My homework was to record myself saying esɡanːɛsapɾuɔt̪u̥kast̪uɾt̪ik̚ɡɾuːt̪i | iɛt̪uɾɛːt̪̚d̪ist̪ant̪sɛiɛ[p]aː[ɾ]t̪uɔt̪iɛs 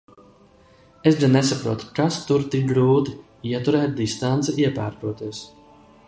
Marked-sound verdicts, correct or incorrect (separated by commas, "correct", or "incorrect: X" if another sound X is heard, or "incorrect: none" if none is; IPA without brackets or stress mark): correct, correct